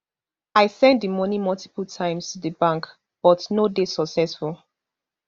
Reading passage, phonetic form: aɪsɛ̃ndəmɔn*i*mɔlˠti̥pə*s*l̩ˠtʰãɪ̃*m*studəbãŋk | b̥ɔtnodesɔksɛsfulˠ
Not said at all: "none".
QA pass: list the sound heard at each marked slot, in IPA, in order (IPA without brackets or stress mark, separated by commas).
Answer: i, none, m